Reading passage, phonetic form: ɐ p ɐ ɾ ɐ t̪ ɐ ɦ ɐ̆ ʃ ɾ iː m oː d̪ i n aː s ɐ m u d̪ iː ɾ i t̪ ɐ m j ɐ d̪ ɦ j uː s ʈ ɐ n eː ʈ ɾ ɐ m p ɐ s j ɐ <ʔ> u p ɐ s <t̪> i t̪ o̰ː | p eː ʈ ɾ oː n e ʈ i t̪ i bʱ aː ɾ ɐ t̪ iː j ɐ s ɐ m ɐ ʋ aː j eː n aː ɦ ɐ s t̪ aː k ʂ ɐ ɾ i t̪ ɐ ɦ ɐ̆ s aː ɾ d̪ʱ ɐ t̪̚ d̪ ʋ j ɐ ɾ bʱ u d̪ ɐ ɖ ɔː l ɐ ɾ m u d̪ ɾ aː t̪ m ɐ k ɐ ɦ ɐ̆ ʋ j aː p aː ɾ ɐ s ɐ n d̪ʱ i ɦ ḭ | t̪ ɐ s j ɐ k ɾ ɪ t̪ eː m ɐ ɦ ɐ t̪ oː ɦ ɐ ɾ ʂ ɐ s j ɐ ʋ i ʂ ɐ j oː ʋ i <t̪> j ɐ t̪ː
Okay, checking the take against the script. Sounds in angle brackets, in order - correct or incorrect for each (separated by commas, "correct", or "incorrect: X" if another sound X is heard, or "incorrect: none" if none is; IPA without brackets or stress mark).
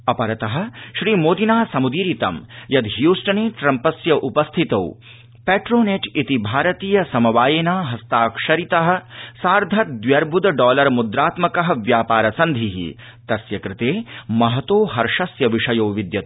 correct, incorrect: t̪ʰ, incorrect: d̪